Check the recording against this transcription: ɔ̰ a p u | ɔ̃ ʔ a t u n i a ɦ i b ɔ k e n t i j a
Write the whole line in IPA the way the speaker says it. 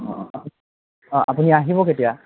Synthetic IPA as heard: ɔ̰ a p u | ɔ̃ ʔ a p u n i a ɦ i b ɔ k e t i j a